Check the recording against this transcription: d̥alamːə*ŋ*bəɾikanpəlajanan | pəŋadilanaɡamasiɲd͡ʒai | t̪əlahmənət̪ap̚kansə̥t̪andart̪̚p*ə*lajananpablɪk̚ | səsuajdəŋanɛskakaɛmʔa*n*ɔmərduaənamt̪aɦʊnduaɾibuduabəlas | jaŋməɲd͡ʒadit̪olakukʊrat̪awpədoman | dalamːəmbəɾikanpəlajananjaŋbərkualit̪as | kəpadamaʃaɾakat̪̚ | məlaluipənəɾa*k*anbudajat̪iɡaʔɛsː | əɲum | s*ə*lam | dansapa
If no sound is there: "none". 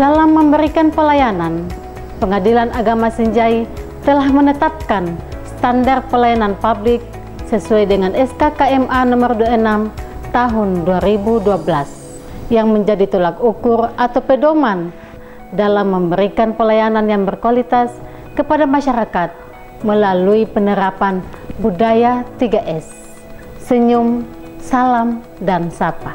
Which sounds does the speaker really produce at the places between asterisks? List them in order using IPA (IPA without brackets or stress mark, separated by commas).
m, ə, n, p, a